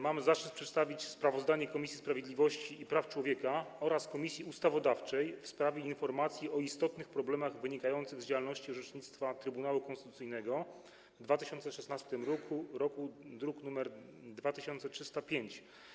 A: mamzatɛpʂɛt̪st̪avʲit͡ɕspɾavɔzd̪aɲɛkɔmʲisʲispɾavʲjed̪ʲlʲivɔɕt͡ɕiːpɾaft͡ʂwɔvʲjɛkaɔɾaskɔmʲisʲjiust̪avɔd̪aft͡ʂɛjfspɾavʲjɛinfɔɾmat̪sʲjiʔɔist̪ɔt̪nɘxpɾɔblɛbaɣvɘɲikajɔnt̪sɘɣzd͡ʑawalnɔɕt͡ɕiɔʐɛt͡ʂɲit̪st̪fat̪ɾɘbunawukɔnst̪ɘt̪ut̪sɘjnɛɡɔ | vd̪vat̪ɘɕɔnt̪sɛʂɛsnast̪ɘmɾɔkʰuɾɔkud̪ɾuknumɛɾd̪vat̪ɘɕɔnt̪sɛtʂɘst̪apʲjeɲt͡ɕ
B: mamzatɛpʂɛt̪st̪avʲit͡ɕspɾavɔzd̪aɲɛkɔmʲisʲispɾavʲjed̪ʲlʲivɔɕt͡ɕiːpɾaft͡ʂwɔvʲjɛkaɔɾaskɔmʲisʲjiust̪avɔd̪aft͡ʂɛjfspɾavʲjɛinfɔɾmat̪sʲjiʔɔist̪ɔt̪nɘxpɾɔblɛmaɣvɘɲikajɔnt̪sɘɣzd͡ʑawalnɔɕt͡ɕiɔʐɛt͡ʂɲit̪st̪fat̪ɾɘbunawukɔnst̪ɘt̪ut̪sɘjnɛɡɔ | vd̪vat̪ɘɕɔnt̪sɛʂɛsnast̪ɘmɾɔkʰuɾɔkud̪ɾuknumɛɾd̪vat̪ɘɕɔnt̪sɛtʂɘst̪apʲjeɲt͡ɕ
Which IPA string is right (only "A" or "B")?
B